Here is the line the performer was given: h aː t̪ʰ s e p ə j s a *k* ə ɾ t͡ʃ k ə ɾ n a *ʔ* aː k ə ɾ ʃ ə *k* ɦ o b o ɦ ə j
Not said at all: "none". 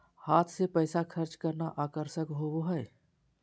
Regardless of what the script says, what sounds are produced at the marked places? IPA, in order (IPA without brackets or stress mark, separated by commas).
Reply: kʰ, ʔ, k